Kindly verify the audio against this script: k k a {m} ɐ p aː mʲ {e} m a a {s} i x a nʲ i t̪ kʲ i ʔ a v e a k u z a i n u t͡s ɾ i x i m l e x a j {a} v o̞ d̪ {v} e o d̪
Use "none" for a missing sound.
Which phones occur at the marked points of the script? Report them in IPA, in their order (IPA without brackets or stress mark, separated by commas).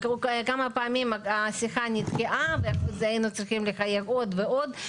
m, i, s, e, v